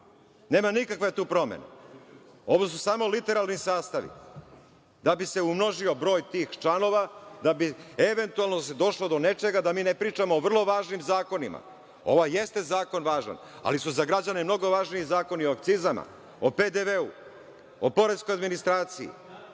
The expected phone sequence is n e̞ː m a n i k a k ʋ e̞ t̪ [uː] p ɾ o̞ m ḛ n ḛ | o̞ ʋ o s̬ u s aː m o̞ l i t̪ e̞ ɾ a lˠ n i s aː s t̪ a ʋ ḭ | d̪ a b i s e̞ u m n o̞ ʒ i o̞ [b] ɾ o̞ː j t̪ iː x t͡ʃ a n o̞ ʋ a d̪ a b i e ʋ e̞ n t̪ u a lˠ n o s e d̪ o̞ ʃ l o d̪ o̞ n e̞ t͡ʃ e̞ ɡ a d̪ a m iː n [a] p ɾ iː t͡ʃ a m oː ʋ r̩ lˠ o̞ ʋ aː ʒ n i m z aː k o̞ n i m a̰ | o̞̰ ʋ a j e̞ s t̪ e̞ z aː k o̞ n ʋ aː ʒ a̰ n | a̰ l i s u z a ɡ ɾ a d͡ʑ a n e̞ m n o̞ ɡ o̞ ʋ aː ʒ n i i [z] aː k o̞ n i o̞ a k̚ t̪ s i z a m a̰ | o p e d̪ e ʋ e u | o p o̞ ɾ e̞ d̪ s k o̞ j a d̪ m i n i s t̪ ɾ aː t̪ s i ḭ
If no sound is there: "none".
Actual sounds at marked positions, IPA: uː, b, e, z

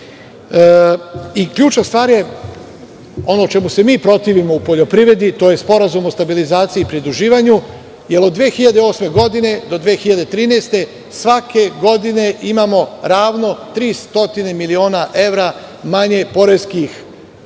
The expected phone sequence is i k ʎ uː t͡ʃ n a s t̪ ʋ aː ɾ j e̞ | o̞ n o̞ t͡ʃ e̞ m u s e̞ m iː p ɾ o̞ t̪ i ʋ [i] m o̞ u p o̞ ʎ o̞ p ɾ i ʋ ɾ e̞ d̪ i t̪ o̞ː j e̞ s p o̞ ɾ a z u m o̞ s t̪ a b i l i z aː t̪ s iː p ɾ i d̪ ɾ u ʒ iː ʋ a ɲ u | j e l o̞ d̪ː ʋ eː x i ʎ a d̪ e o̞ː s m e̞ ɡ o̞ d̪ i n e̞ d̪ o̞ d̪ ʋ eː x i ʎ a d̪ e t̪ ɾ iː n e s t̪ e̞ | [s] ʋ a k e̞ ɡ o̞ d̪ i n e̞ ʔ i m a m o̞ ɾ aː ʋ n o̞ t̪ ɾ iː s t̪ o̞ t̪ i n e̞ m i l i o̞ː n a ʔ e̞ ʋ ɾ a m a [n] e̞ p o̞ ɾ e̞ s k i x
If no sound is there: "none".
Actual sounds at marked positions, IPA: i, s, ɲ

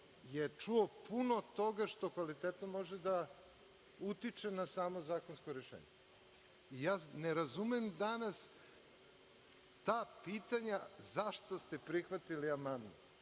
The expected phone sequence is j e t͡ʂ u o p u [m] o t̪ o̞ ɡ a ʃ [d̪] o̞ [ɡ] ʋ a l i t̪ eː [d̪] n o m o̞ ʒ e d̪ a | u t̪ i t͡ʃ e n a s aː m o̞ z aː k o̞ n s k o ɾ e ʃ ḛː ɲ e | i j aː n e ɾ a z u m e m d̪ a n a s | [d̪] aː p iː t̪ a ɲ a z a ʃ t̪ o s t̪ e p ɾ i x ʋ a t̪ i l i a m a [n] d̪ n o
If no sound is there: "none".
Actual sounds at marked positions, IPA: n, t̪, k, t̪, t̪, n

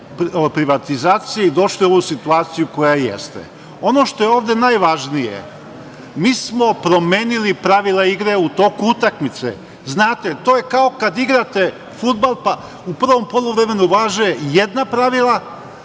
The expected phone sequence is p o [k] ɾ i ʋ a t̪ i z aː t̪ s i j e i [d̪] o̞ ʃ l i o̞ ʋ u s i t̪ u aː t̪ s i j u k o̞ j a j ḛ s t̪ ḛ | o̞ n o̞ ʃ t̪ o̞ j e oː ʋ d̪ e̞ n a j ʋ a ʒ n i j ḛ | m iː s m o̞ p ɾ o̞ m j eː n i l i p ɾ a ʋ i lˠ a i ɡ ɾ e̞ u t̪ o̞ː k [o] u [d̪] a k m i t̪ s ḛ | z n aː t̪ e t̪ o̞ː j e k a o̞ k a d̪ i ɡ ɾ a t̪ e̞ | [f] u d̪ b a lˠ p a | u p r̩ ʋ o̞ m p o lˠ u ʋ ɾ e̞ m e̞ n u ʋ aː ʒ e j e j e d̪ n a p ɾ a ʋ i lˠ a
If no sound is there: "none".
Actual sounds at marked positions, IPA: p, d̪, u, t̪, f

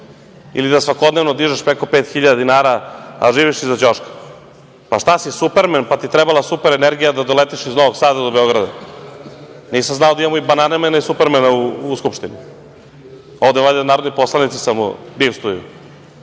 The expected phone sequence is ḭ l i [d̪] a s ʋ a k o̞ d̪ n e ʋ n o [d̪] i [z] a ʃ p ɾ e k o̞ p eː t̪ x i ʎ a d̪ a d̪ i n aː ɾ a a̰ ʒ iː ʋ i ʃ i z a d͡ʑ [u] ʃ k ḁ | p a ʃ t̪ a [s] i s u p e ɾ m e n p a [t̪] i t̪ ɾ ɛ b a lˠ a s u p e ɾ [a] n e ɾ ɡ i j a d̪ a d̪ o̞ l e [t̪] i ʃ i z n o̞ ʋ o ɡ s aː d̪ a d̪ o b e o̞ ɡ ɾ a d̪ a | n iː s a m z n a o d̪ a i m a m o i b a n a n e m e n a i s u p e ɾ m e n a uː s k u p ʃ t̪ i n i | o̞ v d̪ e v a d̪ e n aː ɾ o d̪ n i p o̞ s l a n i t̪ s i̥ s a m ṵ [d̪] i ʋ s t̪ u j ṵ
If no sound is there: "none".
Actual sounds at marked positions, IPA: d̪, d̪, ʒ, o, s, t̪, e, t̪, d̪

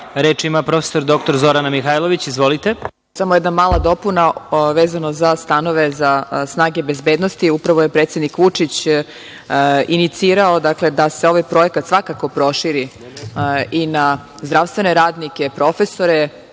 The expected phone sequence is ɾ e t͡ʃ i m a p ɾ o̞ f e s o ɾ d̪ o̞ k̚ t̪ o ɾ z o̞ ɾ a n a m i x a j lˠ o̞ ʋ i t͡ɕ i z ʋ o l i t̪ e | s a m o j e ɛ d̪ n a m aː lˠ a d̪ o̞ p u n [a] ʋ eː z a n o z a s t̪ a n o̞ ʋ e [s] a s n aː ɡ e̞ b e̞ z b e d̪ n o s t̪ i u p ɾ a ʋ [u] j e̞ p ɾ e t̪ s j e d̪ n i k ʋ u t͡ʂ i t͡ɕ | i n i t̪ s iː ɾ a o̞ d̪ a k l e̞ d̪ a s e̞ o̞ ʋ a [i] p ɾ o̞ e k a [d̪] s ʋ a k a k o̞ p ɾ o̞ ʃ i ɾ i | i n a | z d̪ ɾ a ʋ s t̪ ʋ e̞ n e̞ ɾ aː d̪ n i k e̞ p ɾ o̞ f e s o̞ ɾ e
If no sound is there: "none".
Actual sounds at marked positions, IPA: a, z, o, j, t̪

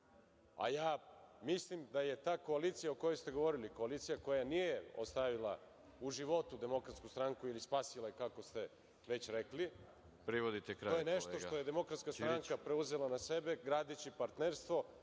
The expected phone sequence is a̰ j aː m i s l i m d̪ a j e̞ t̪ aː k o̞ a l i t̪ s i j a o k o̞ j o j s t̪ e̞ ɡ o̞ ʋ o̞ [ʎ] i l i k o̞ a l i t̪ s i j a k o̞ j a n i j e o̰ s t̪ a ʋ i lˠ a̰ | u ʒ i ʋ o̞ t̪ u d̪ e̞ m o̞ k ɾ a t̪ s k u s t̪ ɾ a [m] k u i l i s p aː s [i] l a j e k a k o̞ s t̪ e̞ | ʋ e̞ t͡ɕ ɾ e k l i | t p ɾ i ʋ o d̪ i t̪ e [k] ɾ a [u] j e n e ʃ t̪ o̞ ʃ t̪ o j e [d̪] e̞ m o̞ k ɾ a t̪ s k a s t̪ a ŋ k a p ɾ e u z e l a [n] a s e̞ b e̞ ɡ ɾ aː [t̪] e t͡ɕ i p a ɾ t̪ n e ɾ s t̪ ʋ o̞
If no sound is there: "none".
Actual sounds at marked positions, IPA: ɾ, ŋ, i, k, o, d̪, n, d̪

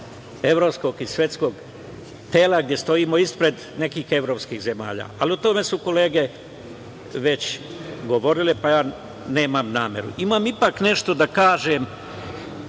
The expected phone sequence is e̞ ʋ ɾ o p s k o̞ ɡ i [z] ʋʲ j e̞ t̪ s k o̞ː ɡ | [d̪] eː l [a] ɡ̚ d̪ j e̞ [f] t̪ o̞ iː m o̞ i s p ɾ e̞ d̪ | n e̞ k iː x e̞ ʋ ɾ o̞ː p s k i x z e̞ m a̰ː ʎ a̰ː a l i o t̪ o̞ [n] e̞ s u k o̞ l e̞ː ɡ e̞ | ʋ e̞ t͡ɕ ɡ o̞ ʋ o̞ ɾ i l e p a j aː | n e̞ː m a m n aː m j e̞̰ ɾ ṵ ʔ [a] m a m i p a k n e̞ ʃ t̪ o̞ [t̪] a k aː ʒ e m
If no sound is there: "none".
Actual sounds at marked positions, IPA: s, t̪, a, s, m, i, d̪

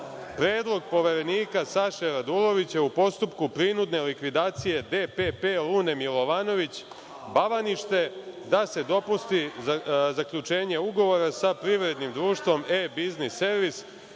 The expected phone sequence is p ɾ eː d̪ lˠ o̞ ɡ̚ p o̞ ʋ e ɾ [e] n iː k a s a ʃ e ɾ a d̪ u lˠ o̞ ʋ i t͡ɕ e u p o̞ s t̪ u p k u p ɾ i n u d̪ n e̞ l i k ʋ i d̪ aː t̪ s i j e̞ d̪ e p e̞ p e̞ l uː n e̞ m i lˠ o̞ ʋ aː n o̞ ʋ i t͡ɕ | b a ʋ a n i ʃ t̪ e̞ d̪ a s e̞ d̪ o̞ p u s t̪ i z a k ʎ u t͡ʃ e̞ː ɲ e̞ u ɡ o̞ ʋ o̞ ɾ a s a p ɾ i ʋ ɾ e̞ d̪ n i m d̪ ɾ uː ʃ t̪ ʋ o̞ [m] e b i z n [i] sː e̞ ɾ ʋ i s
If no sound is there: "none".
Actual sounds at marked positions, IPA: e, m, i

